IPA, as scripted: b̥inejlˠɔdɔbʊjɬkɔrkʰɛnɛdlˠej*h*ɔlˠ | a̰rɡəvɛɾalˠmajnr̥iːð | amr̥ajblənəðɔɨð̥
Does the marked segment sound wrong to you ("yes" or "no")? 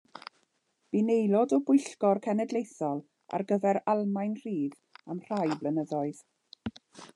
yes